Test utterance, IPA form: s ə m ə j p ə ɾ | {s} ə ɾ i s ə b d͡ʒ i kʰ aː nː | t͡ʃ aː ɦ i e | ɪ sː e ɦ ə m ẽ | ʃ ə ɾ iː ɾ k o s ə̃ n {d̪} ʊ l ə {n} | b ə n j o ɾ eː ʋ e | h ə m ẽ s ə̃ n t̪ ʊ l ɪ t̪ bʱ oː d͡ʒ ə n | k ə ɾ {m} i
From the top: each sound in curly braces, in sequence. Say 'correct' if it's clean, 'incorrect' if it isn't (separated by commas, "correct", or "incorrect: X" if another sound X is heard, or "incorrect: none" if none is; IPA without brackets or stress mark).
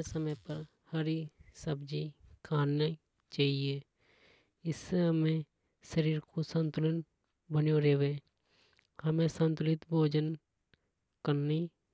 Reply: incorrect: h, incorrect: t̪, correct, incorrect: n